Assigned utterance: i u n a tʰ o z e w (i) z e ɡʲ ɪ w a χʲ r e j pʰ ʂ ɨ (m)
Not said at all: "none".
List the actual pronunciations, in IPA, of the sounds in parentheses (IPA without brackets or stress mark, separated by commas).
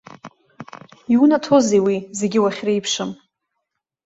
i, m